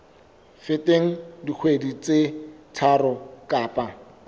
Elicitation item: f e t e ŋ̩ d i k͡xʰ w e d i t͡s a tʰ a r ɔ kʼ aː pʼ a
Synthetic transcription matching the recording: f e t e ŋ̩ d i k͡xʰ w e d i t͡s e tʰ a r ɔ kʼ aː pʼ a